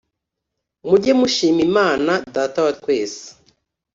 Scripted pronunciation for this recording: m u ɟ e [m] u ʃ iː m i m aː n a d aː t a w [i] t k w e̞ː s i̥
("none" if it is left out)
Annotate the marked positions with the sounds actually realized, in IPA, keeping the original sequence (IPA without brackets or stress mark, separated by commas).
m, a